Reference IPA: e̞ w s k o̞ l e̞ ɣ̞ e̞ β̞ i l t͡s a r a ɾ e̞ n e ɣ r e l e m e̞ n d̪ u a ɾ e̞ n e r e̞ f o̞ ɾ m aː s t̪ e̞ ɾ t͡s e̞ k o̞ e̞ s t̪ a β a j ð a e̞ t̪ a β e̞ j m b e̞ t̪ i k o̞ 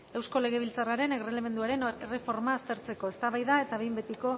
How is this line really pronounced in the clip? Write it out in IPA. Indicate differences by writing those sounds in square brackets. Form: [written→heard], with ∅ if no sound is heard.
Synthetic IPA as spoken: e̞ w s k o̞ l e̞ ɣ̞ e̞ β̞ i l t͡s a r a ɾ e̞ n e ɣ r e l e m e̞ n d̪ u a ɾ e̞ n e r e̞ f o̞ ɾ m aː s t̪ e̞ ɾ t͡s e̞ k o̞ e̞ s t̪ a β a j ð a e̞ t̪ a β e̞ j m b e̞ t̪ i k o̞